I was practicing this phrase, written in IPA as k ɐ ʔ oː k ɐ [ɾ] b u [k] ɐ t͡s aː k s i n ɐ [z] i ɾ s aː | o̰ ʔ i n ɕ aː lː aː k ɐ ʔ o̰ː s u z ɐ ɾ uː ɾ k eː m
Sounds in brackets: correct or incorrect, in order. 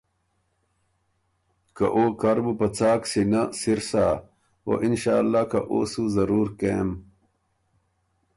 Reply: correct, incorrect: p, incorrect: s

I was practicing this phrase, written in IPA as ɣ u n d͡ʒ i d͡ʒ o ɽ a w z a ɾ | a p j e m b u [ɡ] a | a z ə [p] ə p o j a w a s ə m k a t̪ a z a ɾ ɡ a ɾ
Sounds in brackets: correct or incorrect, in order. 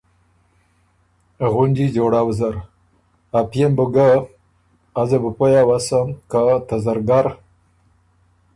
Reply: correct, incorrect: b

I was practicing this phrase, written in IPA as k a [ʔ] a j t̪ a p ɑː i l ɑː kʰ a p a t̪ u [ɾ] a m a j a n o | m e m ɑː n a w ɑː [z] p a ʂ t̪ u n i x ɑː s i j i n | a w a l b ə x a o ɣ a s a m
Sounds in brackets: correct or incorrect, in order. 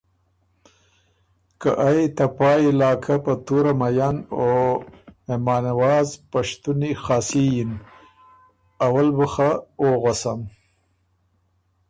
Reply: correct, correct, correct

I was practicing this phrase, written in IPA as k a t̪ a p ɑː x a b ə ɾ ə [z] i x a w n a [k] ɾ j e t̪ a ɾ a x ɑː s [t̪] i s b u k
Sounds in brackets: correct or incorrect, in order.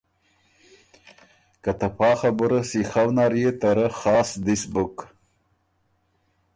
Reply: incorrect: s, incorrect: none, incorrect: d̪

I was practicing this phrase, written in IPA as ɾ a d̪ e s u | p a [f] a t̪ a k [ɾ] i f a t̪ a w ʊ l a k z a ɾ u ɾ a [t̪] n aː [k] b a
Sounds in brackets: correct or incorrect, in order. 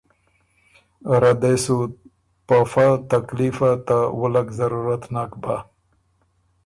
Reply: correct, incorrect: l, correct, correct

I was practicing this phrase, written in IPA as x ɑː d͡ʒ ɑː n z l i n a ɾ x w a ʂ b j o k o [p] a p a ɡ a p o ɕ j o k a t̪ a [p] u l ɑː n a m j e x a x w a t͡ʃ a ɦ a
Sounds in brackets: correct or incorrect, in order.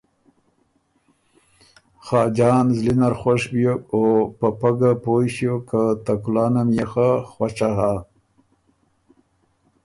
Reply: correct, incorrect: k

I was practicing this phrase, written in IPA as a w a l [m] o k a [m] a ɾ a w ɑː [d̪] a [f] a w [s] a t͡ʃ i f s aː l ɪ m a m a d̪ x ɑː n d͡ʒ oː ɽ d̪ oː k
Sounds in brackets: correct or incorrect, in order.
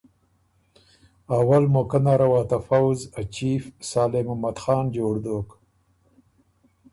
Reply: correct, incorrect: n, incorrect: t̪, correct, incorrect: z

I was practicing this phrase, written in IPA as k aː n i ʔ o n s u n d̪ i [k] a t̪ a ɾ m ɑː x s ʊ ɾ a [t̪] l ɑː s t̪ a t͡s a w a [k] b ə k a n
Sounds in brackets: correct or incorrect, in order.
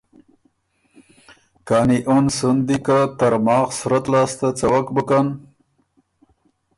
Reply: correct, correct, correct

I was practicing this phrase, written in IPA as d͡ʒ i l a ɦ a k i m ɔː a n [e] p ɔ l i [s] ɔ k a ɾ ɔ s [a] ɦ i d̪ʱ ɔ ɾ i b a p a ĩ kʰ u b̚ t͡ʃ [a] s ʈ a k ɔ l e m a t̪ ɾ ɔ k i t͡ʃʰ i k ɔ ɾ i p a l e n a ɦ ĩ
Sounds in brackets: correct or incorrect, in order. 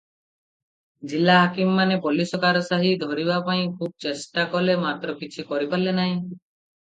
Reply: correct, correct, correct, incorrect: e

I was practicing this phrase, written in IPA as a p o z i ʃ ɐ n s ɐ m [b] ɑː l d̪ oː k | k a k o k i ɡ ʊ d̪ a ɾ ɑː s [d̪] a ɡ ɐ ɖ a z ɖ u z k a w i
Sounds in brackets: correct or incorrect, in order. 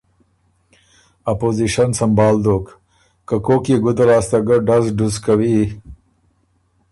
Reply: correct, incorrect: t̪

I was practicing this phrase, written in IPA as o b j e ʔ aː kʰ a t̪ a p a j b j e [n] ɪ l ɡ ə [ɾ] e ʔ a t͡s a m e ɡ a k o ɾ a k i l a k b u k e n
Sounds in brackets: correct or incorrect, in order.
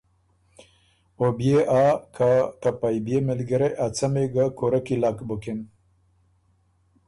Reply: incorrect: m, correct

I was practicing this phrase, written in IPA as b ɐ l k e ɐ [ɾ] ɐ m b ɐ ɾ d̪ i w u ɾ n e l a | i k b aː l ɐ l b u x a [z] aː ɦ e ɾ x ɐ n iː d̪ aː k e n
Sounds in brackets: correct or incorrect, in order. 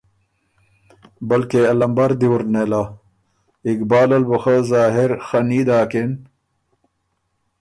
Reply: incorrect: l, correct

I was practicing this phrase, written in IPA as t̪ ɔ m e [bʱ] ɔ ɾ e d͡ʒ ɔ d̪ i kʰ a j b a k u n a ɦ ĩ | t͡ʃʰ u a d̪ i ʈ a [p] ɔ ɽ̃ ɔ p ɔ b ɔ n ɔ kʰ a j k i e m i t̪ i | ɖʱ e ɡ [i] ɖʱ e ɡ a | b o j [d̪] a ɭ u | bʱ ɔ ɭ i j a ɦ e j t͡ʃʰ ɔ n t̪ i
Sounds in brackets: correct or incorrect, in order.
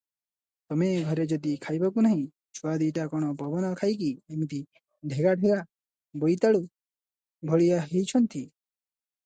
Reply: incorrect: ɡʱ, incorrect: k, incorrect: a, incorrect: t̪

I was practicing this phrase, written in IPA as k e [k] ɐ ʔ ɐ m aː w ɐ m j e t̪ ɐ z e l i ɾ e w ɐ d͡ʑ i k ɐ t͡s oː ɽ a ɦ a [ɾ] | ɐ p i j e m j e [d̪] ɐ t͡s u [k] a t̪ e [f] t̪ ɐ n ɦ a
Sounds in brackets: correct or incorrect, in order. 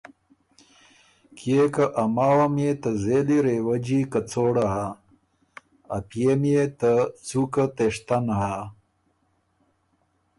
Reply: correct, incorrect: none, incorrect: t̪, correct, incorrect: ʂ

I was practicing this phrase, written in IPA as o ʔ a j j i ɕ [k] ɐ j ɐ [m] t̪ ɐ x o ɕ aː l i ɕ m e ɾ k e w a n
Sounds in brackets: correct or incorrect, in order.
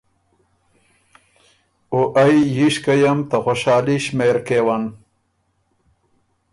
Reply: correct, correct

